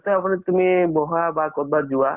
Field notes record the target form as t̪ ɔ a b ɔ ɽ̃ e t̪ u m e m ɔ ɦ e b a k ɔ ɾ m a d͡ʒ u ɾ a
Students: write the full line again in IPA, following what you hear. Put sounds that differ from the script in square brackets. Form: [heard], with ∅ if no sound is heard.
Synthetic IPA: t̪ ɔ a [p] ɔ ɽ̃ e t̪ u m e [b] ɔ ɦ [a] b a k ɔ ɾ [b] a d͡ʒ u [∅] a